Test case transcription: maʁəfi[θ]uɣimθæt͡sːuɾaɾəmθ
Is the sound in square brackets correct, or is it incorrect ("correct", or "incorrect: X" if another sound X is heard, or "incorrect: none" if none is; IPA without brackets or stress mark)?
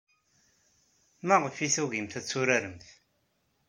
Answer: correct